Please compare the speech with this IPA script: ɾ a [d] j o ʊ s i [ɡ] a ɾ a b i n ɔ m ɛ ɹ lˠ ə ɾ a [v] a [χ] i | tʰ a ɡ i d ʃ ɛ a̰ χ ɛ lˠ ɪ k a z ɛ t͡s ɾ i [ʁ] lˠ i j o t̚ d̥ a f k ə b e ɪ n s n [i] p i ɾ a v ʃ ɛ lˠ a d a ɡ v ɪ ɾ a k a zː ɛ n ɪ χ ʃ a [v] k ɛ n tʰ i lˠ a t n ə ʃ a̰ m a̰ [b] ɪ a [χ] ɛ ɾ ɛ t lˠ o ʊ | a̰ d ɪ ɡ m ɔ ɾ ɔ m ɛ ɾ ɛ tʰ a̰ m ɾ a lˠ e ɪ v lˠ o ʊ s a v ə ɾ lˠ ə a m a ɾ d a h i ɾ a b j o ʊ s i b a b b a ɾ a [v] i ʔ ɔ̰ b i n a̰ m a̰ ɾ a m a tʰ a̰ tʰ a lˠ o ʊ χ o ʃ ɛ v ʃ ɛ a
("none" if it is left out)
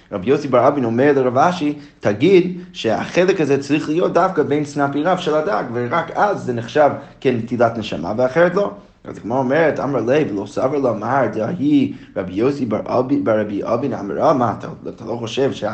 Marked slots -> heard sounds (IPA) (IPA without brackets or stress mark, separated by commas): b, b, v, ʃ, χ, a, v, v, χ, b